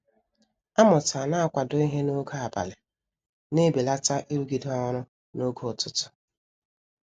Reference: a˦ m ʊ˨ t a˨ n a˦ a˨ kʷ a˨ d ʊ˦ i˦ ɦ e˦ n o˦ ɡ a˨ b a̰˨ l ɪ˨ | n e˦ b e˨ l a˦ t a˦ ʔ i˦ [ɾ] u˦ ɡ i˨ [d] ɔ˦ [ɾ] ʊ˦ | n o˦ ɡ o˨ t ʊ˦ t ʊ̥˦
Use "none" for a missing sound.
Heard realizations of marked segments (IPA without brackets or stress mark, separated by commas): ɾ, d, ɾ